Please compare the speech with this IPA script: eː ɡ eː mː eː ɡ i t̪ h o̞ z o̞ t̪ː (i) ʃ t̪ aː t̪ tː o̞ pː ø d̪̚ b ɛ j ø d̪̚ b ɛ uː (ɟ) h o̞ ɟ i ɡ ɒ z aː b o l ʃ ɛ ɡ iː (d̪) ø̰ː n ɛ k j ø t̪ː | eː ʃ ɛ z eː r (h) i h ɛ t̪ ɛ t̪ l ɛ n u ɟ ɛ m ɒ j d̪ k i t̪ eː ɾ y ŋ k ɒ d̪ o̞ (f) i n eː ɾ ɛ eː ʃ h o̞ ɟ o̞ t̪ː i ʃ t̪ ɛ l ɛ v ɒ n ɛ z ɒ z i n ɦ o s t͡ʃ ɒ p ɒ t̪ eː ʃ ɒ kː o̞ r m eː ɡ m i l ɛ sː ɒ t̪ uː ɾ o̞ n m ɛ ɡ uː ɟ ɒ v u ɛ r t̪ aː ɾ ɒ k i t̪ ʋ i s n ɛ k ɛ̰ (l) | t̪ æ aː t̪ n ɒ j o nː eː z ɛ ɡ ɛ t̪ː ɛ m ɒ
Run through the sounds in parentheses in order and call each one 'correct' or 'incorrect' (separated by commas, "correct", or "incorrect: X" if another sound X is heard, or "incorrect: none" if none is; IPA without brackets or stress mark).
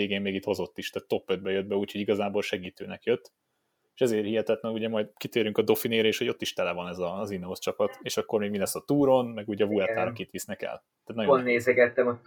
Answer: correct, incorrect: c, incorrect: t̪, correct, correct, correct